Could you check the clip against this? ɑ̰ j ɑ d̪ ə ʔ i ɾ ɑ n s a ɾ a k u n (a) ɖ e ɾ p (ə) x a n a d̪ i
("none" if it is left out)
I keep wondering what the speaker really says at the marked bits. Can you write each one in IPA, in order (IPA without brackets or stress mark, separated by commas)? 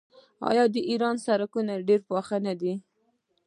a, ɑ